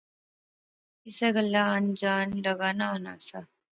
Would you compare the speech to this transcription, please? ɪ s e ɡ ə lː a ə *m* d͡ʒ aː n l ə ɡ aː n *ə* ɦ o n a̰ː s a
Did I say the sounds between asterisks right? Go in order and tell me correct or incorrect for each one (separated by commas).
incorrect, incorrect